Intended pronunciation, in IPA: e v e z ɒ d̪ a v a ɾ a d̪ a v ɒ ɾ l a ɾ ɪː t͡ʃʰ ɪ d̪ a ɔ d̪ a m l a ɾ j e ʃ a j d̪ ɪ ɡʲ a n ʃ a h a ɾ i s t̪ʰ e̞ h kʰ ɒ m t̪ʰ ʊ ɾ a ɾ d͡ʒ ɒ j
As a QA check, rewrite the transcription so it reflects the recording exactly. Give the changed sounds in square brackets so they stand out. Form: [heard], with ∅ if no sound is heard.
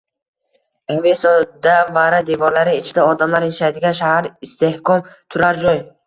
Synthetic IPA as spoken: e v e [s] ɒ d̪ a v a ɾ a d̪ [e] v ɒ ɾ l a ɾ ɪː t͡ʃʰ ɪ d̪ a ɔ d̪ a m l a ɾ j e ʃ a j d̪ ɪ ɡʲ a n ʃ a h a ɾ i s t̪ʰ e̞ h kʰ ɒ m t̪ʰ ʊ ɾ a ɾ d͡ʒ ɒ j